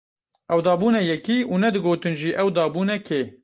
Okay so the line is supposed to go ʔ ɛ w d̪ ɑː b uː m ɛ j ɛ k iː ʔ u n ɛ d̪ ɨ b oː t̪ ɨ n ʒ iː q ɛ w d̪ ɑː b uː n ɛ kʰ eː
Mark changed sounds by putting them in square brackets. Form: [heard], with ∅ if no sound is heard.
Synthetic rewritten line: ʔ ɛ w d̪ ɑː b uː [n] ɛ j ɛ k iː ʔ u n ɛ d̪ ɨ [ɡ] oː t̪ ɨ n ʒ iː [ʔ] ɛ w d̪ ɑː b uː n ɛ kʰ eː